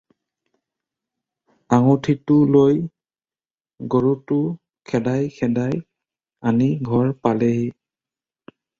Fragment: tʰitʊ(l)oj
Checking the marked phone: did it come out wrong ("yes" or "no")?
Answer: no